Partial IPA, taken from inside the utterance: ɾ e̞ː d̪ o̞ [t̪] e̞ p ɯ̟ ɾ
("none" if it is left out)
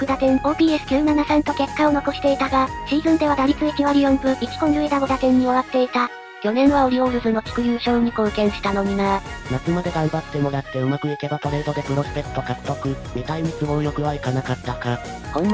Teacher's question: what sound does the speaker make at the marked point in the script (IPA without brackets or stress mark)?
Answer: d̪